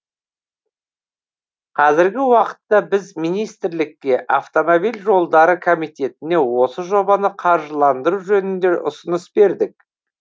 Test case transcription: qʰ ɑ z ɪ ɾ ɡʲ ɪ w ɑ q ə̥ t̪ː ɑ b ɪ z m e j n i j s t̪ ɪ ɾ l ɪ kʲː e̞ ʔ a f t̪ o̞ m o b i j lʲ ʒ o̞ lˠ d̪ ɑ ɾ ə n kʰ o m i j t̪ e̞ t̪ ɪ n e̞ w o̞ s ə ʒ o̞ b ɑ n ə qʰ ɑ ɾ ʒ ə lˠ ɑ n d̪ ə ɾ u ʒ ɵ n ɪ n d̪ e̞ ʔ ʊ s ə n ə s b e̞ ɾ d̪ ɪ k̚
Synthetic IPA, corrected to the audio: qʰ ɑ z ɪ ɾ ɡʲ ɪ w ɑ q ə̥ t̪ː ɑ b ɪ z m i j n i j s t̪ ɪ ɾ l ɪ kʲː e̞ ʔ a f t̪ o̞ m o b i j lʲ ʒ o̞ lˠ d̪ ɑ ɾ ə kʰ o m i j t̪ e̞ t̪ ɪ n e̞ w o̞ s ə ʒ o̞ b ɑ n ə qʰ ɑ ɾ ʒ ə lˠ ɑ n d̪ ə ɾ u ʒ ɵ n ɪ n d̪ e̞ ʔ ʊ s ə n ə s b e̞ ɾ d̪ ɪ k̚